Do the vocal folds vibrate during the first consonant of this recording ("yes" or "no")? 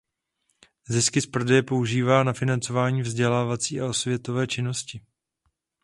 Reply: yes